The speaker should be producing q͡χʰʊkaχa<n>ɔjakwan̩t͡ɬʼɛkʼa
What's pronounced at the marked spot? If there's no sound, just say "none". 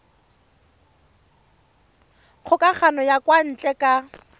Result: n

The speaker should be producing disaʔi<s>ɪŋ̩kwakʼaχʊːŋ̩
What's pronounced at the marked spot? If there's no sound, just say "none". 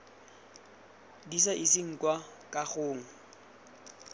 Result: s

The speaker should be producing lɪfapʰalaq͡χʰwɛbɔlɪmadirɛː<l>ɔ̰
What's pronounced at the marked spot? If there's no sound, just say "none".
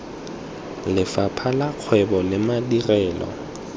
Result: l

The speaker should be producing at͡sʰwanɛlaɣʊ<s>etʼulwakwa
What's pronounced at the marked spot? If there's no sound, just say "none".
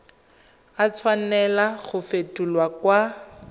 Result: f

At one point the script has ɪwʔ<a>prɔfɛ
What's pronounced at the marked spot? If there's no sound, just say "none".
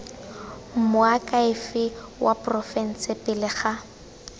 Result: a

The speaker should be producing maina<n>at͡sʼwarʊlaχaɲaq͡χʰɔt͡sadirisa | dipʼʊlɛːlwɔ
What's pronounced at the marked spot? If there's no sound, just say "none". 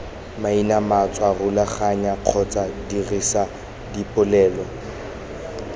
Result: m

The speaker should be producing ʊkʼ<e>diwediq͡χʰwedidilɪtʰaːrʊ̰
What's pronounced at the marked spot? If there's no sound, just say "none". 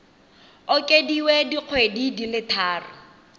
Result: e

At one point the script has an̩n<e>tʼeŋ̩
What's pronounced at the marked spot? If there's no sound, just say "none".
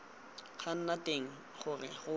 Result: a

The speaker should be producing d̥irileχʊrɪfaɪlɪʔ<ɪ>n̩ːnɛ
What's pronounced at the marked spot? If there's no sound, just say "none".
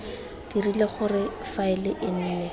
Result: ɪ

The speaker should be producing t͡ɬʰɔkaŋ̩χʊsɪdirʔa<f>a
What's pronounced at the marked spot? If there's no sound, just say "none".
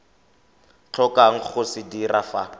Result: f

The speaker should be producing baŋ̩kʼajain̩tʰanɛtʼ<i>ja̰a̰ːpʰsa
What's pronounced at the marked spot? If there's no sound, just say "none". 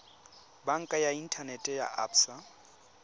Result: ɛ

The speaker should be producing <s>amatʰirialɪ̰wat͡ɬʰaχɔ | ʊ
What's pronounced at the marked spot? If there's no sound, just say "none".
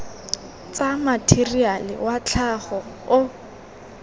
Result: t͡s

